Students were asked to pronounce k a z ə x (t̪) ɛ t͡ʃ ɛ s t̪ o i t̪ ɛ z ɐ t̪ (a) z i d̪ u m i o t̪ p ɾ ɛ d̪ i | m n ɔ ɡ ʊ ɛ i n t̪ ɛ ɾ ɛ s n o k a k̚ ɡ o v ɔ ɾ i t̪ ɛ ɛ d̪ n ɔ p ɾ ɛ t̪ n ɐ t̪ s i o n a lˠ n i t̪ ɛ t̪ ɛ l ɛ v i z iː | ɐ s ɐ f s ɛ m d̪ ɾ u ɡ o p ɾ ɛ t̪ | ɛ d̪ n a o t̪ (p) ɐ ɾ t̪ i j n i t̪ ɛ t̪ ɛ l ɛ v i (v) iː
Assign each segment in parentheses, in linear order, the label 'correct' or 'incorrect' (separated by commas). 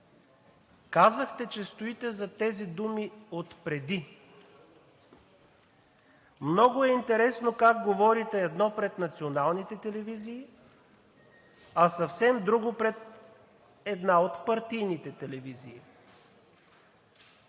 correct, incorrect, correct, incorrect